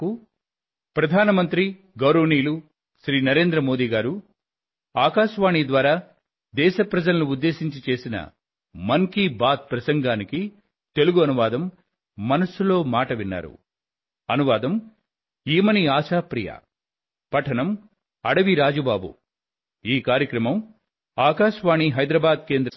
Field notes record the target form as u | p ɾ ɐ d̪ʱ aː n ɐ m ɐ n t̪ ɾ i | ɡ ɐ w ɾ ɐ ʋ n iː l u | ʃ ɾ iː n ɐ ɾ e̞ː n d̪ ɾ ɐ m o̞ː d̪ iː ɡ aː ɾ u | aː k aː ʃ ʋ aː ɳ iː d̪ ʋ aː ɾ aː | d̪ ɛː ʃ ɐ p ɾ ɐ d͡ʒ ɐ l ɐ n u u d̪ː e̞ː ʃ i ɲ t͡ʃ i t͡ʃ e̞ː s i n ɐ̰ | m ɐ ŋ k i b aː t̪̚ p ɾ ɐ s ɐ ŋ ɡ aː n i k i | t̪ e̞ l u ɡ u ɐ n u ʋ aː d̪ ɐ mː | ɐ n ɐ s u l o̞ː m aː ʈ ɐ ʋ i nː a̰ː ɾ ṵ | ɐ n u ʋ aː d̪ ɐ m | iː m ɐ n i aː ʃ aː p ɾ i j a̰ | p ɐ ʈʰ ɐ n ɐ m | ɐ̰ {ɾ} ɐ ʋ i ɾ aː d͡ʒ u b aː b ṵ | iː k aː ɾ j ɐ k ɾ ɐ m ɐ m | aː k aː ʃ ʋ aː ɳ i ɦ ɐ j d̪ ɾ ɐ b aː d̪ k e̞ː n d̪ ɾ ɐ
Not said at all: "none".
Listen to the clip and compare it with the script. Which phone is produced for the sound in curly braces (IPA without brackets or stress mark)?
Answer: ɽ